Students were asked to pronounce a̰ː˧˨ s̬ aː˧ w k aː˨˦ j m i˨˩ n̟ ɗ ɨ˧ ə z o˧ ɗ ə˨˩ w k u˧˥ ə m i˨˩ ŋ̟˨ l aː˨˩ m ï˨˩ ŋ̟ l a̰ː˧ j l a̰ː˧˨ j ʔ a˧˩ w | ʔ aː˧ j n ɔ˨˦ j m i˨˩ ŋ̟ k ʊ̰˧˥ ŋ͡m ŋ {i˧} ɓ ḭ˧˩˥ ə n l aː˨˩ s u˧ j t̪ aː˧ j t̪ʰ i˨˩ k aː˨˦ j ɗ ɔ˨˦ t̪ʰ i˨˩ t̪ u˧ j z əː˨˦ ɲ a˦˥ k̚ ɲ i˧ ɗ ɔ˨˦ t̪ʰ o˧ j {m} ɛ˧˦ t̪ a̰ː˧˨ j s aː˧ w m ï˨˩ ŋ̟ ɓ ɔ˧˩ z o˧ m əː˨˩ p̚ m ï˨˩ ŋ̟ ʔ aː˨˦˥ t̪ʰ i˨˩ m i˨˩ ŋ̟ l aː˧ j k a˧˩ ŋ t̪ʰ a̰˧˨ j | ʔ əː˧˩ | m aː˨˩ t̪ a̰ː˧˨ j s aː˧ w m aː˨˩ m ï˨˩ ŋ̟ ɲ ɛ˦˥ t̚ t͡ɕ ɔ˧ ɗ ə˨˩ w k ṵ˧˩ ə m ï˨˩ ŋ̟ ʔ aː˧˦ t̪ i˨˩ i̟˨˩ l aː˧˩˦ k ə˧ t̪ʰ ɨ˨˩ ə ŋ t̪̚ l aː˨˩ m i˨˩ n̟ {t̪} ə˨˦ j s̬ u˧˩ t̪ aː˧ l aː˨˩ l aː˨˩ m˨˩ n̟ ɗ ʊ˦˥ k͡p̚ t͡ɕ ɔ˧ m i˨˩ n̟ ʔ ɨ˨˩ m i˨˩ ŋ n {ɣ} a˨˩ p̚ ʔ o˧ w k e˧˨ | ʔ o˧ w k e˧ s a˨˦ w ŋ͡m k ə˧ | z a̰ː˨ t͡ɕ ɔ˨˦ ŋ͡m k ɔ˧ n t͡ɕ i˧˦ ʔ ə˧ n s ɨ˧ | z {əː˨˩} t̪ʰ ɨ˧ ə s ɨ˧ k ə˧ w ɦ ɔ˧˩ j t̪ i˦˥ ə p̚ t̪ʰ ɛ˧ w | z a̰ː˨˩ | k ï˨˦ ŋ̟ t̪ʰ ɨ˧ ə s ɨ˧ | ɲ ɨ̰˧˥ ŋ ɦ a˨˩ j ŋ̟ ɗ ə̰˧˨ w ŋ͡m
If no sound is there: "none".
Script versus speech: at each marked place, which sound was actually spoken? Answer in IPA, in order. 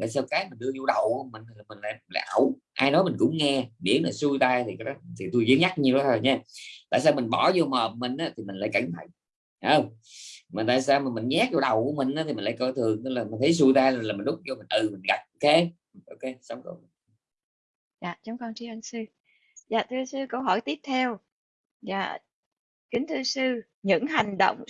ɛ˧, ɲ, t̪ʰ, ɣ, aː˨˩

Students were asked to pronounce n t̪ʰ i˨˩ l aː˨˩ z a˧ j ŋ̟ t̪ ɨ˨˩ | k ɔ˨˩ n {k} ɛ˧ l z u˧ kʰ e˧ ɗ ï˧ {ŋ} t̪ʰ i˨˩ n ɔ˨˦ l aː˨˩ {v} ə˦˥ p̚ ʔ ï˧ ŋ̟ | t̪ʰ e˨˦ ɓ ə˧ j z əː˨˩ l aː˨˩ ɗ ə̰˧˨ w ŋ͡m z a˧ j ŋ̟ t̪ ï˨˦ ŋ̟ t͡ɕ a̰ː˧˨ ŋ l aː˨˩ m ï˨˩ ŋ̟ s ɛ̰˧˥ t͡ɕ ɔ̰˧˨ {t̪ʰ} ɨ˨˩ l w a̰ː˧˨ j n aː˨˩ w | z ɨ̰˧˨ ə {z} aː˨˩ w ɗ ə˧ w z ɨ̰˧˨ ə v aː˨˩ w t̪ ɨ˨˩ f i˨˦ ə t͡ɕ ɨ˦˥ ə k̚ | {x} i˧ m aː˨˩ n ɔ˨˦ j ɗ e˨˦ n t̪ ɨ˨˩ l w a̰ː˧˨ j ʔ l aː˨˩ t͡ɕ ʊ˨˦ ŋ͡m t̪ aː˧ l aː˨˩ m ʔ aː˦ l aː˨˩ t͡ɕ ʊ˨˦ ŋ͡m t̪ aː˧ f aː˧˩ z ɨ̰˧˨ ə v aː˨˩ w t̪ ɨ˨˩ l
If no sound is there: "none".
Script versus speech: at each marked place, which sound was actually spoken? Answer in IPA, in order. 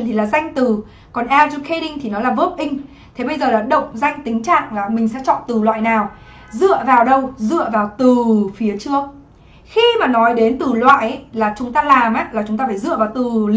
ʔ, ŋ, v, t̪, v, x

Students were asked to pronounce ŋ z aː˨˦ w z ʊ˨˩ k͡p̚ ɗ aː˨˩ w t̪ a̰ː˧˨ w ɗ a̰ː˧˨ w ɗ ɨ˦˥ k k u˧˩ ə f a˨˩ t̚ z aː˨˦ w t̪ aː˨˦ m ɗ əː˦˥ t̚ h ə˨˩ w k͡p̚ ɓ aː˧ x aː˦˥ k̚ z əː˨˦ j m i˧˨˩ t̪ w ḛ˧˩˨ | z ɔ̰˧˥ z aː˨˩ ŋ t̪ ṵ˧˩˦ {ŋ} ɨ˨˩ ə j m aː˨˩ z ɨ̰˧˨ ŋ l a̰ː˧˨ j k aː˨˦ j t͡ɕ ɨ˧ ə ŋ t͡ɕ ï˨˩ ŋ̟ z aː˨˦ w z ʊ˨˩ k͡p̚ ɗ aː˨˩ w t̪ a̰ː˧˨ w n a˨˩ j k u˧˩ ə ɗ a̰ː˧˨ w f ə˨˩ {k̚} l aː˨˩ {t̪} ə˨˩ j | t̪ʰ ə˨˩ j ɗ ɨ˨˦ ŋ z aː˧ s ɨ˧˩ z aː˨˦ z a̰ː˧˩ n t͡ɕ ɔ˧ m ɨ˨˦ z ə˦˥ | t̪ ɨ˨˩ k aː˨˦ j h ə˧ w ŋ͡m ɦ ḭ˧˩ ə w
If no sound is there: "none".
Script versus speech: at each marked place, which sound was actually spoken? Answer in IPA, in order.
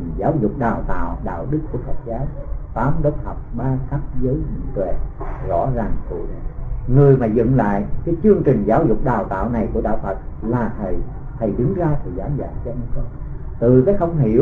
ŋ, t̚, t̪ʰ

